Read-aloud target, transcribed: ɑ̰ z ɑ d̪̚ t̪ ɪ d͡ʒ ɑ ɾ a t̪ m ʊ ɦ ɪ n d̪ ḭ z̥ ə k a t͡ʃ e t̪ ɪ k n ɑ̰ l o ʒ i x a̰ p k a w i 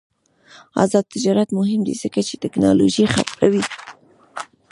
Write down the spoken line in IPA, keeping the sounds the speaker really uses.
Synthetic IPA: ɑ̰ z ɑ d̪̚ t̪ ɪ d͡ʒ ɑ ɾ a t̪ m ʊ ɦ ɪ m d̪ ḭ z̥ ə k a t͡ʃ e t̪ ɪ k n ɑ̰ l o ʒ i x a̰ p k a w i